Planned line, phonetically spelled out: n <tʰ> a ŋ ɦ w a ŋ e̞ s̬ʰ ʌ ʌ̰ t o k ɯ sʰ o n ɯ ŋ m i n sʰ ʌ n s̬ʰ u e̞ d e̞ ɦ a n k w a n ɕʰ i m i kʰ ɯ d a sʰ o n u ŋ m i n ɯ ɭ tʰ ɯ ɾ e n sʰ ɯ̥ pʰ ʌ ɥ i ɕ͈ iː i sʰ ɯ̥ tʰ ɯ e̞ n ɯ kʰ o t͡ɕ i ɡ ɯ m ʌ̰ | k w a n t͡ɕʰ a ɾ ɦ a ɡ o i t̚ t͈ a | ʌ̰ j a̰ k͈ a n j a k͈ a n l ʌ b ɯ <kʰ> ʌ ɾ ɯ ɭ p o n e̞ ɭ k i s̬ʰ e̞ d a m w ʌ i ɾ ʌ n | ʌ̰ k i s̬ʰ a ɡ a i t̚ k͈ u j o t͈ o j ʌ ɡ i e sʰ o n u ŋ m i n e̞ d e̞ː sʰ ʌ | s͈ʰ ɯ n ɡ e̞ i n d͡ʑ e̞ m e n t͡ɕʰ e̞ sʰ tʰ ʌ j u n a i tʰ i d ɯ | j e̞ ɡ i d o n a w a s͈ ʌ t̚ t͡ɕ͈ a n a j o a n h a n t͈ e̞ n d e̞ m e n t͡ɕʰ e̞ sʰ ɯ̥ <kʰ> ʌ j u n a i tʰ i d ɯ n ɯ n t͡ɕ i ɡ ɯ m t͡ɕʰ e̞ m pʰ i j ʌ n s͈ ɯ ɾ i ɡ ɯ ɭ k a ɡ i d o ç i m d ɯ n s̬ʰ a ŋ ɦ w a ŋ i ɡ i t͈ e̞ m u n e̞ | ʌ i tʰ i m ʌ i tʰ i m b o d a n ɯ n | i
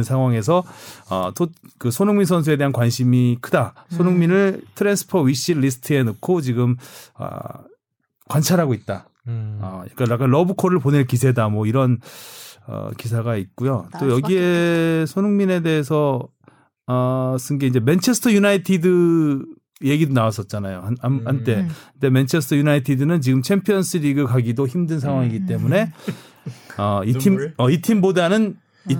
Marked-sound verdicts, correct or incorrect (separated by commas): incorrect, correct, incorrect